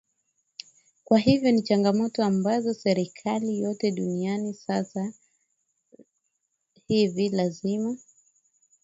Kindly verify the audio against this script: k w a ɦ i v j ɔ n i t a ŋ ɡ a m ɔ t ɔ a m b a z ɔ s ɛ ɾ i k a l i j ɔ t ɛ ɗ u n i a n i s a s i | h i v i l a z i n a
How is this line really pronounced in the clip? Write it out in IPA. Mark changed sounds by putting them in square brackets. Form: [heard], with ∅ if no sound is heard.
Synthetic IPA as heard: k w a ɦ i v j ɔ n i [t͡ʃ] a ŋ ɡ a m ɔ t ɔ a m b a z ɔ s ɛ ɾ i [kʰ] a l i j ɔ t ɛ ɗ u n i a n i s a s [a] | h i v i l a z i [m] a